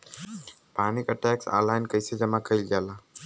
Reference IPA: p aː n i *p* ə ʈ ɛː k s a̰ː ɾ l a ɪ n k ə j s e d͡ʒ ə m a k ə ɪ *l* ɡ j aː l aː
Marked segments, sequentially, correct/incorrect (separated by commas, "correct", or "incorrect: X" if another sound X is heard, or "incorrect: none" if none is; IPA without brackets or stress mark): incorrect: k, correct